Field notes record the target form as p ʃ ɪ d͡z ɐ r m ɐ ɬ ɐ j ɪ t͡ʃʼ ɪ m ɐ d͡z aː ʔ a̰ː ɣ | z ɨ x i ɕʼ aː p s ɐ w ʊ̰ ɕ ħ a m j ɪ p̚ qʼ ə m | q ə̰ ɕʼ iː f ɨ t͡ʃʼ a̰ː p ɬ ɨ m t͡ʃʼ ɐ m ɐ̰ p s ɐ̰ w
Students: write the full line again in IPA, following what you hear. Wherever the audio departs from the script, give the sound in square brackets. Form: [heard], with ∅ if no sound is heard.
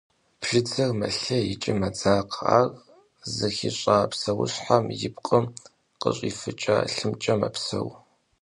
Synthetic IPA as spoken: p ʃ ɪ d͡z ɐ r m ɐ ɬ ɐ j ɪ t͡ʃʼ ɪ m ɐ d͡z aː [q] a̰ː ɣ | z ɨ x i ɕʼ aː p s ɐ w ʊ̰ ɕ ħ a m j ɪ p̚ qʼ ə m | q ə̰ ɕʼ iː f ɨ t͡ʃʼ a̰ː [∅] ɬ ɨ m t͡ʃʼ ɐ m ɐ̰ p s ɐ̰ w